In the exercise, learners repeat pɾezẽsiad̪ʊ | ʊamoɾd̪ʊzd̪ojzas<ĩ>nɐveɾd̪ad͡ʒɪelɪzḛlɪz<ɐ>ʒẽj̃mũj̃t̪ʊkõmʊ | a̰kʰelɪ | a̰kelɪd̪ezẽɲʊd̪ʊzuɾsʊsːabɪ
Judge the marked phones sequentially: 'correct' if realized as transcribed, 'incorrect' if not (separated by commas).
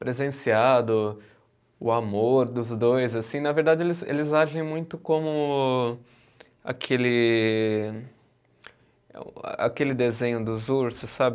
correct, incorrect